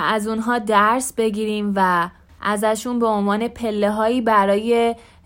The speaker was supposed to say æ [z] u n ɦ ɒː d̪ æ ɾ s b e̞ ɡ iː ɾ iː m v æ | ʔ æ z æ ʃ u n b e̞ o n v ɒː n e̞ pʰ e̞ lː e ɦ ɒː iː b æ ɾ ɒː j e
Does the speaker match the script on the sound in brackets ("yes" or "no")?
yes